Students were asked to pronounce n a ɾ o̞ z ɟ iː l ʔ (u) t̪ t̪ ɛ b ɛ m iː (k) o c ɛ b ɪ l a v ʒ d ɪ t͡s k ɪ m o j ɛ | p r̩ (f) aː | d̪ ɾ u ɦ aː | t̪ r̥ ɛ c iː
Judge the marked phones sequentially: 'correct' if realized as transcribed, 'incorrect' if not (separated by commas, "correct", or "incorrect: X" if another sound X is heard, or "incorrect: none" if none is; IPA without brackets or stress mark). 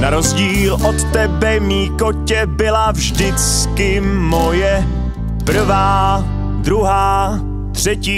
incorrect: o, correct, incorrect: v